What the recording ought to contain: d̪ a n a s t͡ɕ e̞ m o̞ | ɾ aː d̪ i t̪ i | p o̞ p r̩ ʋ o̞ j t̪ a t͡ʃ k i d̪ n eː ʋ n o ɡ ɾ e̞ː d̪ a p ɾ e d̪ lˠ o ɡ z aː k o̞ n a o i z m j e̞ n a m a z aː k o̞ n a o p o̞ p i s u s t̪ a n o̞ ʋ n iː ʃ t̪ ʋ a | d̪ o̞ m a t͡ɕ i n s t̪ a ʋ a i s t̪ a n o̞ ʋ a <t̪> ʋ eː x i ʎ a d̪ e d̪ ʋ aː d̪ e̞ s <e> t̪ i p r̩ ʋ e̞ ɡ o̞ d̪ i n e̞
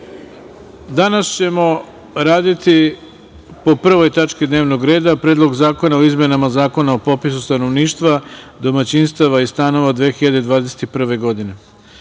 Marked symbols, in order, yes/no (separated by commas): no, yes